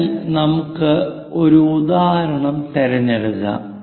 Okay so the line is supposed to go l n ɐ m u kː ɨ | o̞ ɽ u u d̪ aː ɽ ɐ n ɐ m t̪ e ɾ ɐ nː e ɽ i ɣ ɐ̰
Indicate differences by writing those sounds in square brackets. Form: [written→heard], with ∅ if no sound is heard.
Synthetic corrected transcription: l n ɐ m u kː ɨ | o̞ [ɽ→ɾ] u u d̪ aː [ɽ→ɾ] ɐ [n→ɳ] ɐ m t̪ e ɾ ɐ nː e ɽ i ɣ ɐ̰